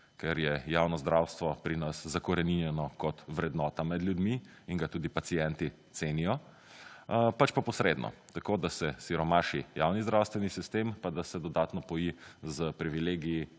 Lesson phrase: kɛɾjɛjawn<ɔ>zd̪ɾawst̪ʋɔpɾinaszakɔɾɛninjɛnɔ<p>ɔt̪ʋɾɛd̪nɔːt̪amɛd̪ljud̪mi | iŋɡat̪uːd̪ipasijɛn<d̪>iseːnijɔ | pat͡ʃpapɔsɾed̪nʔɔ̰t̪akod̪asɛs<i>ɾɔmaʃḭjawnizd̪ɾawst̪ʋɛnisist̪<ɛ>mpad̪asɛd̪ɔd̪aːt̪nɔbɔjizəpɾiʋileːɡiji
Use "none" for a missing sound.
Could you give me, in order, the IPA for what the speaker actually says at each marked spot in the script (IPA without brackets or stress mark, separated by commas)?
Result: ɔ, k, t̪, i, e